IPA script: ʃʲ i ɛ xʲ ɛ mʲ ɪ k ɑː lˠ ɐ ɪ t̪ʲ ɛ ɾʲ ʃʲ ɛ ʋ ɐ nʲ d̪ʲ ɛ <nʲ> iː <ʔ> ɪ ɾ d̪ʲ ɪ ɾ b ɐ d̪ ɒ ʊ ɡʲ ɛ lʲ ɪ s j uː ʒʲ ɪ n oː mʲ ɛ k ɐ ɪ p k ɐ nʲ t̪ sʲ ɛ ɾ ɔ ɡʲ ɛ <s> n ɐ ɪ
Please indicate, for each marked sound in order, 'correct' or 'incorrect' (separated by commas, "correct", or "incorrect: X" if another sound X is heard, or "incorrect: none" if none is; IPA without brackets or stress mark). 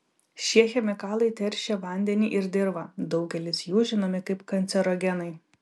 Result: correct, correct, incorrect: none